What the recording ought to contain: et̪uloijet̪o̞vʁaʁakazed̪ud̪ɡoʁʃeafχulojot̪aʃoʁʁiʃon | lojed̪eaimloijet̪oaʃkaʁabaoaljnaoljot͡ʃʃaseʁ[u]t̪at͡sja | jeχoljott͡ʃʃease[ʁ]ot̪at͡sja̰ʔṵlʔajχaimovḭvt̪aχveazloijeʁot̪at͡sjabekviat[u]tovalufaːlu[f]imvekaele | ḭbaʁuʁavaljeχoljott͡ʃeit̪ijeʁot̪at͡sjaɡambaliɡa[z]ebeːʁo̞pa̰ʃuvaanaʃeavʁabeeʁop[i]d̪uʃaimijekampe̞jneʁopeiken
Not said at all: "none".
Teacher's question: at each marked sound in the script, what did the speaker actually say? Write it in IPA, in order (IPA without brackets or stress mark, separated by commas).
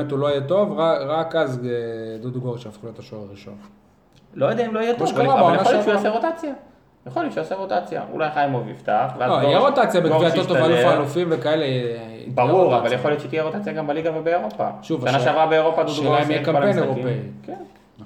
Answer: o, ʁ, o, f, v, a